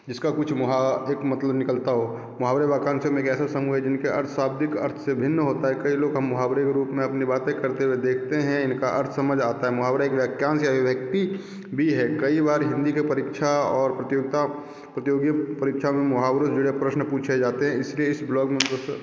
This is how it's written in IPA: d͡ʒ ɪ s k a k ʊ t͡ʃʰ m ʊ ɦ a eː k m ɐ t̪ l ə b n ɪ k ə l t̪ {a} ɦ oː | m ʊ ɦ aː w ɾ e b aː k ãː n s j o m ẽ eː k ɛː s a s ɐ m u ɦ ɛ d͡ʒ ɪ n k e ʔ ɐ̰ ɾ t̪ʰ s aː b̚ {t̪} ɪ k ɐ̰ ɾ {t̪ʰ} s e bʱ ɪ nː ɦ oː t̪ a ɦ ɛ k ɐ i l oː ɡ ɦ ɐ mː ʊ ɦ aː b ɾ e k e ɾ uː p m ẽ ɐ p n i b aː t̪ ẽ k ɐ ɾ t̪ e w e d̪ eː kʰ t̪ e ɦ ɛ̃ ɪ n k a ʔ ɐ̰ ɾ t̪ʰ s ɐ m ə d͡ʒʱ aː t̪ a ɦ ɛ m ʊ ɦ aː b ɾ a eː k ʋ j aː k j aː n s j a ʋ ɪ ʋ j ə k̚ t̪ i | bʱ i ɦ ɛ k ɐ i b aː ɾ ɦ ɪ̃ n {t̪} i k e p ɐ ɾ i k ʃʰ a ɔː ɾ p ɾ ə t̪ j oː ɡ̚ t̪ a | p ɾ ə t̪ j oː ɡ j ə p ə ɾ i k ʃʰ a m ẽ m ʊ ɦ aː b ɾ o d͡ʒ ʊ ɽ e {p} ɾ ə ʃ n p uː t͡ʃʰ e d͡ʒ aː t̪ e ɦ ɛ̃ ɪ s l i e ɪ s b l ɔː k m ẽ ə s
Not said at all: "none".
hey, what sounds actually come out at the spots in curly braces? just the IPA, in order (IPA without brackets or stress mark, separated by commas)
a, d̪, t̪ʰ, d̪, p